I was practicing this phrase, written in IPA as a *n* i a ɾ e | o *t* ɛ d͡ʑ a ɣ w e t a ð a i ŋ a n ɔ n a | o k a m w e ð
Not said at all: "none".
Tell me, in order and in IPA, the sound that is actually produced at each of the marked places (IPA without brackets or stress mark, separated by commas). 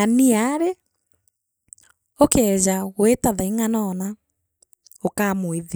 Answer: n, k